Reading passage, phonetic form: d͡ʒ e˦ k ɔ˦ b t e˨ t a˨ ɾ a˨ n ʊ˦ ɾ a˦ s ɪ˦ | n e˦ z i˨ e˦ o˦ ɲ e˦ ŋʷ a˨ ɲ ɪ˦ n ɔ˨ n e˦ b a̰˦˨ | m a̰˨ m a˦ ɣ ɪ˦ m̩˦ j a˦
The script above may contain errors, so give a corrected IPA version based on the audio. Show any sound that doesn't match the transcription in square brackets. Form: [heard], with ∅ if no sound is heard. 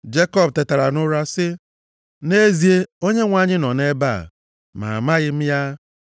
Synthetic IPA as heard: d͡ʒ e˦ k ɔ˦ b t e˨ t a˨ ɾ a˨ n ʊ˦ ɾ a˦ s ɪ˦ | n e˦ z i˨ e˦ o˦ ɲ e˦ ŋʷ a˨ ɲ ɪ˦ n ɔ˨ n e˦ b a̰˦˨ | m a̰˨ m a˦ ɣ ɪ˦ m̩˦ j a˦

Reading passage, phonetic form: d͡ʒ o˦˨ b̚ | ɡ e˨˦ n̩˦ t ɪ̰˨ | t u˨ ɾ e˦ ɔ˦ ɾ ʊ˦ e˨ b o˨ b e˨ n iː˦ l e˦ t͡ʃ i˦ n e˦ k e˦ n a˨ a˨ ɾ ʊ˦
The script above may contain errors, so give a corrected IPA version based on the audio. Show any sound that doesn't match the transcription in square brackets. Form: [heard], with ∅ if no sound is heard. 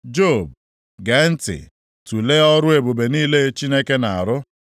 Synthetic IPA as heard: d͡ʒ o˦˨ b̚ | ɡ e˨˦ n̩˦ t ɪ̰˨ | t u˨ [l] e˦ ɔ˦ ɾ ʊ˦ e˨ b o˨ b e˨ n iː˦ l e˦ t͡ʃ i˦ n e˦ k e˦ n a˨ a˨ ɾ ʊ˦

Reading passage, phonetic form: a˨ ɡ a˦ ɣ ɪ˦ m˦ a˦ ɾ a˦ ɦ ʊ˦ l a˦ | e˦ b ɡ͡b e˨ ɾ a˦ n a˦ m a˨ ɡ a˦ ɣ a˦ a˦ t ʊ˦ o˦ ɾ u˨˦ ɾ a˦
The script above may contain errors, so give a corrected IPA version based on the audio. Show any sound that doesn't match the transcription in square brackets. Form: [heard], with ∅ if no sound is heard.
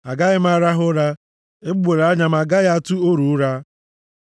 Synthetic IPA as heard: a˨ ɡ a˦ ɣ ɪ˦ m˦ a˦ ɾ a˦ ɦ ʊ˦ [ɾ] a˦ | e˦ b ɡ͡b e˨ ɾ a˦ [ɲ] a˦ m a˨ ɡ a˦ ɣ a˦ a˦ t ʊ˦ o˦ ɾ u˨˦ ɾ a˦

